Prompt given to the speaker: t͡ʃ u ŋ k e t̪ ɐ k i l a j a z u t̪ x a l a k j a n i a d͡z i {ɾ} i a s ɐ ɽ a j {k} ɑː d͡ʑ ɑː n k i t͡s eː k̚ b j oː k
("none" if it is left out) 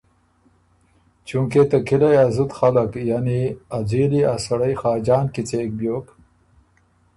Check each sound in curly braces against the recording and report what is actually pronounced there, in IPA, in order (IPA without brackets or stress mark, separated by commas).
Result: l, x